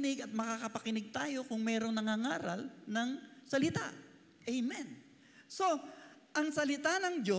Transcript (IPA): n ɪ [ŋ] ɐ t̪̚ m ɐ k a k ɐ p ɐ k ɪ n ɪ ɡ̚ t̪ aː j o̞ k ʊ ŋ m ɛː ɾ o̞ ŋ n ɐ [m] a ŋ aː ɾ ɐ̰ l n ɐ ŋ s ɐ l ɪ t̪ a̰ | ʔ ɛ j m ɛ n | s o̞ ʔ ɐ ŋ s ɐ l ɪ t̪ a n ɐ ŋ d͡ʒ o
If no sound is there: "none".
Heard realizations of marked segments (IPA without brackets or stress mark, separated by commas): ɡ, ŋ